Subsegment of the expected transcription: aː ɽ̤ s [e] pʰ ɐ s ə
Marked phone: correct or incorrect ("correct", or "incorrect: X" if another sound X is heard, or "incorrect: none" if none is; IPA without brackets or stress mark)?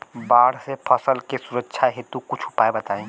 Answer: correct